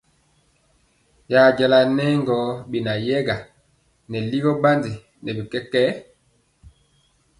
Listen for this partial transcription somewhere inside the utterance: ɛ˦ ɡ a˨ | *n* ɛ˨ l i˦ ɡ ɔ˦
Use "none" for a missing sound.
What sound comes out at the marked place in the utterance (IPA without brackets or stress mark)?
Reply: n